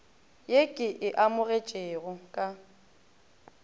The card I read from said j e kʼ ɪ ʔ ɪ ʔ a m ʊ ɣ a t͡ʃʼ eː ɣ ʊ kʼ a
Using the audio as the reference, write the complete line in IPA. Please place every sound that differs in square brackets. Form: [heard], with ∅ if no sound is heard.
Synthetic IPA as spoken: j e kʼ ɪ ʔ ɪ ʔ a m ʊ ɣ [e] t͡ʃʼ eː ɣ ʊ kʼ a